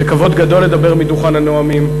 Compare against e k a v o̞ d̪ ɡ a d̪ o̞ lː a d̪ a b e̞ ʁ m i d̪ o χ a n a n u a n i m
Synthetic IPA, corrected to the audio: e k a v o̞ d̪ ɡ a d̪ o̞ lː e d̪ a b e̞ ʁ m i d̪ u χ a n a n o a m i m